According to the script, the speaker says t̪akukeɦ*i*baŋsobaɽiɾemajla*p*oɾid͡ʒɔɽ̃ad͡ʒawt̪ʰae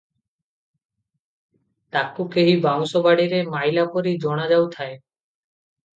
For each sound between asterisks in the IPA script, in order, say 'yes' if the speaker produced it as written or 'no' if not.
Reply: yes, yes

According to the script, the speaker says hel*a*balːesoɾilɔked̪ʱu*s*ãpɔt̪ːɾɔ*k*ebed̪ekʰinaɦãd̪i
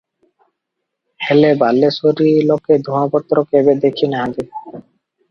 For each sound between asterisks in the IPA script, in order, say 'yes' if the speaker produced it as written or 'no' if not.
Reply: no, no, yes

